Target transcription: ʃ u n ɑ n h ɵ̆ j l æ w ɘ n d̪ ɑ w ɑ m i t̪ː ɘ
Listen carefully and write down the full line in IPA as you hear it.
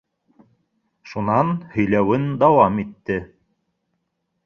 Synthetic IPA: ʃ u n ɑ n h ɵ̆ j l æ w ɘ n d̪ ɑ w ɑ m i t̪ː ɘ